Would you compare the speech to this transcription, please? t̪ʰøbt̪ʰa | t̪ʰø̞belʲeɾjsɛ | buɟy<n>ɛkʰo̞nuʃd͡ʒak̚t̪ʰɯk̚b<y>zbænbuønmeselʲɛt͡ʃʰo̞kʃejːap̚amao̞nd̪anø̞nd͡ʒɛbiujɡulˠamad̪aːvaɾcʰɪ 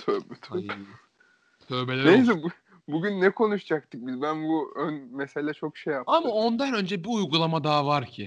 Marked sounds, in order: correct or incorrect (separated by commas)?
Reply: incorrect, incorrect